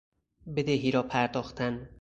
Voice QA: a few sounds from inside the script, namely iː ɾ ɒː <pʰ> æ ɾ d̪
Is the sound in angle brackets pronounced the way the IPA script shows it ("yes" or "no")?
yes